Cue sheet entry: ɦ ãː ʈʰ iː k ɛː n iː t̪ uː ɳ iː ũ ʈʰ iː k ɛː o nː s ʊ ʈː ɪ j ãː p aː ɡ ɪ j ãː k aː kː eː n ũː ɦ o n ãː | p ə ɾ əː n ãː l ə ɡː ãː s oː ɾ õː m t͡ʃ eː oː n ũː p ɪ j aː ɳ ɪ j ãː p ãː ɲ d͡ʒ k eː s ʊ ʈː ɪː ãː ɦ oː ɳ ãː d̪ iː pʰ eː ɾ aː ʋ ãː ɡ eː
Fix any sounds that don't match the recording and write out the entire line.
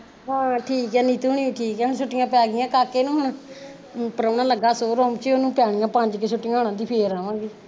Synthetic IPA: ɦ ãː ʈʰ iː k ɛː n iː t̪ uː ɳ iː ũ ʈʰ iː k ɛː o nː s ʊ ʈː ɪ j ãː p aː ɡ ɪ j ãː k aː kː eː n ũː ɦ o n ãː | p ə ɾ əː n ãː l ə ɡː aː s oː ɾ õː m t͡ʃ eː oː n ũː p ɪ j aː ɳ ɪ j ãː p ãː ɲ d͡ʒ k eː s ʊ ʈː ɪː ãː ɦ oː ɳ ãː d̪ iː pʰ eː ɾ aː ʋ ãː ɡ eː